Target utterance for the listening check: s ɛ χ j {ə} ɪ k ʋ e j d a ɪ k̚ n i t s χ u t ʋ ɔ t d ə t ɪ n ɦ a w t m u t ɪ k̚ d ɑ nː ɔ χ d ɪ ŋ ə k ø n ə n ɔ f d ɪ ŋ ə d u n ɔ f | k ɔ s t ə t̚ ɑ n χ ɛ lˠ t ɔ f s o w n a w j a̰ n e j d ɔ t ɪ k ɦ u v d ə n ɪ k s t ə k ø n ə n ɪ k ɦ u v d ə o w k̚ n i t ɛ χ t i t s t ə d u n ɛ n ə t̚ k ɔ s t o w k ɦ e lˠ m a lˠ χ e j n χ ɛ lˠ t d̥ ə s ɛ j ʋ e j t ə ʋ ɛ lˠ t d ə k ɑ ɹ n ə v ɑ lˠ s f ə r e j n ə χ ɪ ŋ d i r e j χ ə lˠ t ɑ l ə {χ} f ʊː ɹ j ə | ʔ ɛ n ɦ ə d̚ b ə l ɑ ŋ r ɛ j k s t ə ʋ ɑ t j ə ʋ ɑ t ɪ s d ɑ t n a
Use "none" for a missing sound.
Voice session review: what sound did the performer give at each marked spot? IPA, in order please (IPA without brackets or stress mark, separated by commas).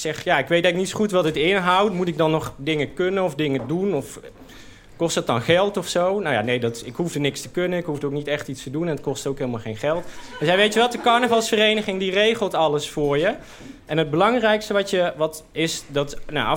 a, s